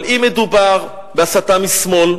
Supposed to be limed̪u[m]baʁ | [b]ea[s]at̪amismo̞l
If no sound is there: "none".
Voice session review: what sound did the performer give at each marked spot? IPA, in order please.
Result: none, b, s

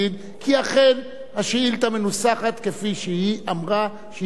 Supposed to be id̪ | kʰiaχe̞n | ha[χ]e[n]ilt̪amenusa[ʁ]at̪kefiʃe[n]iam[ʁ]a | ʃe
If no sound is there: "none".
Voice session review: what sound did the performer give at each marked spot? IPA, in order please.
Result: ʃ, none, χ, none, ʁ

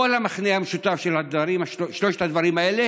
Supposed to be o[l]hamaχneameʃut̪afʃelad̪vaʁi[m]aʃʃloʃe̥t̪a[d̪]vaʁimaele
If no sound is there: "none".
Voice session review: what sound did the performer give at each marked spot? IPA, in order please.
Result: l, m, d̪

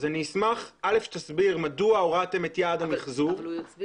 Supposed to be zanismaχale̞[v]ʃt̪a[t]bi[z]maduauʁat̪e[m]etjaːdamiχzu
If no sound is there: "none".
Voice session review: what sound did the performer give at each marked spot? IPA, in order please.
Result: f, s, ʁ, m

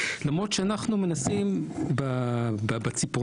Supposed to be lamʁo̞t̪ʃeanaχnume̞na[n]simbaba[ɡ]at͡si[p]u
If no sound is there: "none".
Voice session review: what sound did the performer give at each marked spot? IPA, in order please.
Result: none, b, p

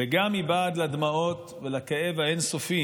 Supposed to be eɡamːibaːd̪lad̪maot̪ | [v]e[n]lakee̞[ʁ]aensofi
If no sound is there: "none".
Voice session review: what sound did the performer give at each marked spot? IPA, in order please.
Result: v, none, v

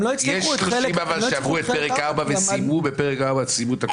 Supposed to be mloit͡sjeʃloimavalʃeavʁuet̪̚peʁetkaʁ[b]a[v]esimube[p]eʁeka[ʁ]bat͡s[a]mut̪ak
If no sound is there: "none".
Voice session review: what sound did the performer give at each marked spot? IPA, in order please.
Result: b, v, p, ʁ, i

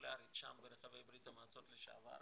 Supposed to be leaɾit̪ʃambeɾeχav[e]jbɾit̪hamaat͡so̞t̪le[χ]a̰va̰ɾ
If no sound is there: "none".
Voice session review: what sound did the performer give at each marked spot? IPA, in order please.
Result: e, ʃ

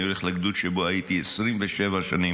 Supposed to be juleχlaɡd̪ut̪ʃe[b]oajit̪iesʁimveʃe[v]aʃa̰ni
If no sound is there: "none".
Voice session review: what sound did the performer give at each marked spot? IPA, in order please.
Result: b, v

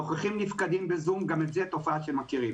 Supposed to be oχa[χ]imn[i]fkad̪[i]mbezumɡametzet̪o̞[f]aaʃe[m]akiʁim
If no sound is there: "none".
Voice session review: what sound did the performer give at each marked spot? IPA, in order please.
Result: χ, i, i, f, m

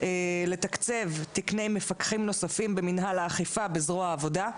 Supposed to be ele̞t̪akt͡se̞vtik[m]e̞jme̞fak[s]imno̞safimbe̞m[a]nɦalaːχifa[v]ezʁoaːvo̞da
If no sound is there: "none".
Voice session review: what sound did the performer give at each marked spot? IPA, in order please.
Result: n, χ, i, b

